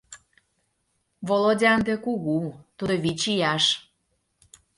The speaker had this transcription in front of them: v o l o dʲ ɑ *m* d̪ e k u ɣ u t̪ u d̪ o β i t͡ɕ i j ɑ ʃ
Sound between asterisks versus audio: incorrect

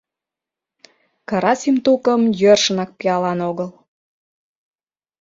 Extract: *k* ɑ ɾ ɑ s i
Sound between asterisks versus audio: correct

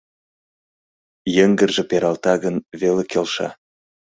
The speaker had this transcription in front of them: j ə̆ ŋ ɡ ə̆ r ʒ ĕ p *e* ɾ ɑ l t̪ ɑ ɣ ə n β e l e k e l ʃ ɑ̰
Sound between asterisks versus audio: correct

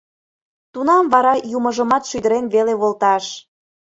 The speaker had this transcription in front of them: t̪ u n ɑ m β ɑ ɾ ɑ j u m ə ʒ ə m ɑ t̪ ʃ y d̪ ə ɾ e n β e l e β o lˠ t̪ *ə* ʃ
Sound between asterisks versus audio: incorrect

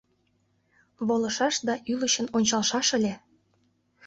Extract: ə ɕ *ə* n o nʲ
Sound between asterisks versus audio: correct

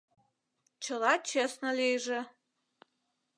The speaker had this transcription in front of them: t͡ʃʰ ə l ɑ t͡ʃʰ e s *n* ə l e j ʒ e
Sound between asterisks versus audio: correct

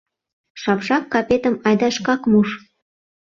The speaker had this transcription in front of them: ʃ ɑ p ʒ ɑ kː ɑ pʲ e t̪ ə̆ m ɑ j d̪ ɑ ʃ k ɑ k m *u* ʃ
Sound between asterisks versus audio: correct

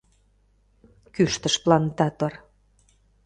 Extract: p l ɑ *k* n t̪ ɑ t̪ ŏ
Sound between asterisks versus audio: incorrect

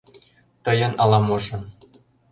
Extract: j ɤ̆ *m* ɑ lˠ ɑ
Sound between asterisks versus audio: incorrect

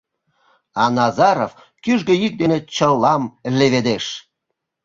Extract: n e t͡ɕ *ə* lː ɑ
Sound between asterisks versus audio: correct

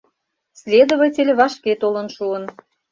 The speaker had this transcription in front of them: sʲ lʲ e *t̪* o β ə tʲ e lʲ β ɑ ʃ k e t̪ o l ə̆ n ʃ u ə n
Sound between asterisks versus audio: incorrect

